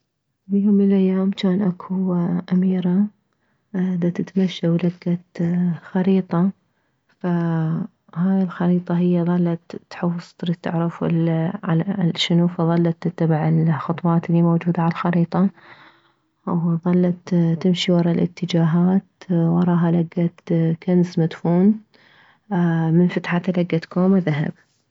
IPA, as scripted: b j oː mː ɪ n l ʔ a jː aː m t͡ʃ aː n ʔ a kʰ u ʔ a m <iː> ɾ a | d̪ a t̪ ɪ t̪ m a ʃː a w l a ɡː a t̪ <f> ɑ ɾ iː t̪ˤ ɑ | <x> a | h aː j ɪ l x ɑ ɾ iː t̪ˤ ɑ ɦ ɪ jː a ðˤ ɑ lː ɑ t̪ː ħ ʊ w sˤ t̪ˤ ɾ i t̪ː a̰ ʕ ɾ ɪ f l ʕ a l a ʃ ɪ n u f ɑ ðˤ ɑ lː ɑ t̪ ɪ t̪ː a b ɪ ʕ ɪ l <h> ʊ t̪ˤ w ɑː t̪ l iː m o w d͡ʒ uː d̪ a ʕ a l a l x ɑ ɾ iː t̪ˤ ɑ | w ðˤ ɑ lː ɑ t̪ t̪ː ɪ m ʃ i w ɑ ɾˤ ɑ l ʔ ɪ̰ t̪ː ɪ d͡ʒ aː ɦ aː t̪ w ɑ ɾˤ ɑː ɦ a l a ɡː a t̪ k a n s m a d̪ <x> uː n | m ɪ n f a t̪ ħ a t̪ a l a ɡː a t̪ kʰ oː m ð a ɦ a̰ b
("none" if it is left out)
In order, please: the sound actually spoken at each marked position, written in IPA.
iː, x, f, x, f

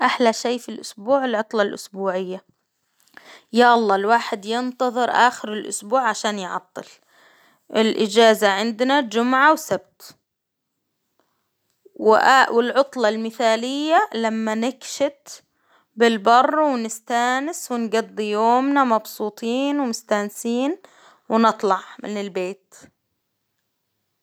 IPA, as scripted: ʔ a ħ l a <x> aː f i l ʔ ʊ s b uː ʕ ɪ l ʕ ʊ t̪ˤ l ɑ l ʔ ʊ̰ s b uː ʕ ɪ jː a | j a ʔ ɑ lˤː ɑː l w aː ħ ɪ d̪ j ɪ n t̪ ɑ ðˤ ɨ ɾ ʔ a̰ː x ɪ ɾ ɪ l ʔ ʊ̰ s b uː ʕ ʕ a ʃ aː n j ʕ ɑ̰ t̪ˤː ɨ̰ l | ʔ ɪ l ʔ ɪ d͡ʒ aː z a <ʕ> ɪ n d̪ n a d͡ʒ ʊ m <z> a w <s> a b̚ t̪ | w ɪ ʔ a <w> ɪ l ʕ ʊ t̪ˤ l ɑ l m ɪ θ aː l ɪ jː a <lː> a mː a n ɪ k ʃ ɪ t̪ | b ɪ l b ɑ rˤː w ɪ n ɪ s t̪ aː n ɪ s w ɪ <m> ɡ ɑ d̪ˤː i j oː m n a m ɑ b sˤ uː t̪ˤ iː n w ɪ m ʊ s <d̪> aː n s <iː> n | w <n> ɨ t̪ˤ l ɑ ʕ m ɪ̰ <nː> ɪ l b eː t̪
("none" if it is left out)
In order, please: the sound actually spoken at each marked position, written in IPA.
ʃ, ʕ, ʕ, s, w, l, n, t̪, iː, n, n

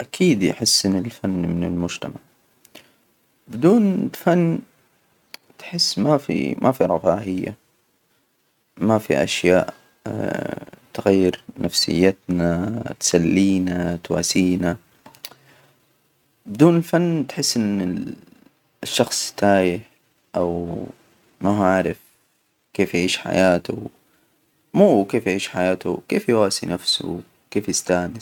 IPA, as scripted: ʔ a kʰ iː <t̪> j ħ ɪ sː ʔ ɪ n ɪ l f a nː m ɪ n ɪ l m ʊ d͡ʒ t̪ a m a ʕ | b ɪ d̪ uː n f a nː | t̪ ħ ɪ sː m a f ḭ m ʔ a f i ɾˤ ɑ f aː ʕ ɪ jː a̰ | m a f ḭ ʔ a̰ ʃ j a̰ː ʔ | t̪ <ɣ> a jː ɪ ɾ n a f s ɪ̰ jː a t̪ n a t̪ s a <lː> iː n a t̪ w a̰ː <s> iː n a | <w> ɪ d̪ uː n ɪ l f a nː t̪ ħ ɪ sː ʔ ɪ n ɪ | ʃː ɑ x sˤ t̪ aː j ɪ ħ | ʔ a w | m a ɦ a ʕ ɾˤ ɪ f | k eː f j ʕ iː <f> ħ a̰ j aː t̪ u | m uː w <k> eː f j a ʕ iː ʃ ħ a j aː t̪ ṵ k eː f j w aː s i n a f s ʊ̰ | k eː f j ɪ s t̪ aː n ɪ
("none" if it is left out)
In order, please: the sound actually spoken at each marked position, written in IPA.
d̪, ɣ, lː, s, b, ʃ, k

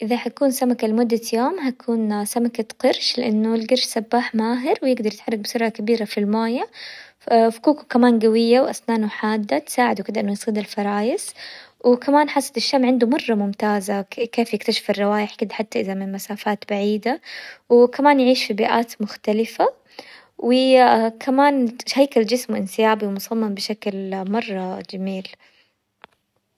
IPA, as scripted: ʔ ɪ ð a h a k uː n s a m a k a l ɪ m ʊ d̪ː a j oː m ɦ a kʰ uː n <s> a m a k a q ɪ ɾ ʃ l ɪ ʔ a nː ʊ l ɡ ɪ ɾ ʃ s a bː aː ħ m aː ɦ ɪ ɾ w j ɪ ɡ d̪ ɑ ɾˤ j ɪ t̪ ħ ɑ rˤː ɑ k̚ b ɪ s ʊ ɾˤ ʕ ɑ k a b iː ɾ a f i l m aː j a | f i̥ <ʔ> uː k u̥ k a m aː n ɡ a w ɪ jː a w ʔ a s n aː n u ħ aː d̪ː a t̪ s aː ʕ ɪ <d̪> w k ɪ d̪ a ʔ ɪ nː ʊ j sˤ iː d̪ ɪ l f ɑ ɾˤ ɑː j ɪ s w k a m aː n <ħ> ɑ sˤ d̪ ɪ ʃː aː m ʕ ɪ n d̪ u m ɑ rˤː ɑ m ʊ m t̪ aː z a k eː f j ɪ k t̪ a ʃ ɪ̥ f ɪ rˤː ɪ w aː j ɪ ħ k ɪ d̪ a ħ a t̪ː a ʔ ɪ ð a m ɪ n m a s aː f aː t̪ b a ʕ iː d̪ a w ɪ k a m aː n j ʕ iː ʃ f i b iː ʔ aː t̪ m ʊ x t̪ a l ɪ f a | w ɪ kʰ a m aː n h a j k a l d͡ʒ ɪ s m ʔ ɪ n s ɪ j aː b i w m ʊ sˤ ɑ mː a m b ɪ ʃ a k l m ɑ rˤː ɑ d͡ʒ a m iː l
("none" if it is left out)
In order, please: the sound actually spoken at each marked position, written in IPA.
s, k, d̪, ħ

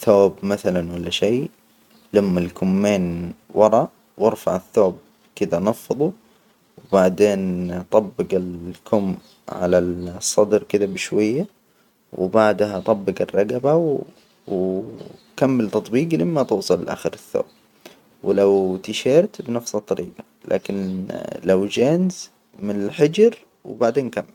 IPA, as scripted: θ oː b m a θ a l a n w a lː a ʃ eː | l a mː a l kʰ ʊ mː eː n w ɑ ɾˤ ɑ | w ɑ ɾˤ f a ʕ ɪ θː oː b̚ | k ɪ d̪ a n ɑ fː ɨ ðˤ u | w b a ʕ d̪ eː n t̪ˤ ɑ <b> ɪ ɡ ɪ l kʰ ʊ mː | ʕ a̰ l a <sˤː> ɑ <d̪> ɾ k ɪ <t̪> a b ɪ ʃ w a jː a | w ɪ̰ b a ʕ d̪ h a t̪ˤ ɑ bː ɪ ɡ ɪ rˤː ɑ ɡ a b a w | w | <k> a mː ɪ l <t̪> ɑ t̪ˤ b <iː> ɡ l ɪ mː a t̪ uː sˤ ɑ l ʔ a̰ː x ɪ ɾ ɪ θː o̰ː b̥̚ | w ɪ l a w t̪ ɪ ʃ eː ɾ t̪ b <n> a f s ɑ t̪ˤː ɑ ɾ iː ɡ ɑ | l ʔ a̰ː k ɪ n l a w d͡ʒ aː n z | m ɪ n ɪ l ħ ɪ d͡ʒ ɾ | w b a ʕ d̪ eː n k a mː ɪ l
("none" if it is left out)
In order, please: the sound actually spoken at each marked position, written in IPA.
bː, sˤː, d̪, d̪, k, t̪, iː, n

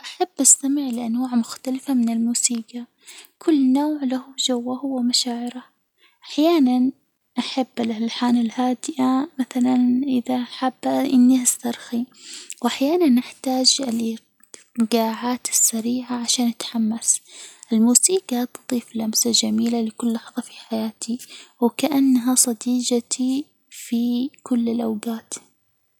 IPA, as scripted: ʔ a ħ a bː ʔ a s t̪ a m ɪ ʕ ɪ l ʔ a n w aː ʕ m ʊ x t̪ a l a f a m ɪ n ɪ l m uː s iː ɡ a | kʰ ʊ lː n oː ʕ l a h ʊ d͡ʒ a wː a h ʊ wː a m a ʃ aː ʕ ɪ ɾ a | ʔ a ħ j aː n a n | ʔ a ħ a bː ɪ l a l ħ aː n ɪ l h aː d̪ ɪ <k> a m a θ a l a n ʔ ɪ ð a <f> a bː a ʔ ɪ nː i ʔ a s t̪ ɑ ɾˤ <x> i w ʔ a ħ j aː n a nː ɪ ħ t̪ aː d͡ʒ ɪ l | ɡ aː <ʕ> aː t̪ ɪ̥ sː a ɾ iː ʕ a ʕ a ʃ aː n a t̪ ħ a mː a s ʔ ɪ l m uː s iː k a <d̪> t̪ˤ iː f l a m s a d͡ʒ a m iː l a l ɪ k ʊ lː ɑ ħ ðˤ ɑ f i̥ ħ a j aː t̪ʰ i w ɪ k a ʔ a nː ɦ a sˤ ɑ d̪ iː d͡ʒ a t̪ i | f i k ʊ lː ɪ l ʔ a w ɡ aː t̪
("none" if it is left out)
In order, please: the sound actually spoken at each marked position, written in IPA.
ʔ, ħ, x, ʕ, t̪

